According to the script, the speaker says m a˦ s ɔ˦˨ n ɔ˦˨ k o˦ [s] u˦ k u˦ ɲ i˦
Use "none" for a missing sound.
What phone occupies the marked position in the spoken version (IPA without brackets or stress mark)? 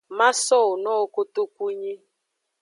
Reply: t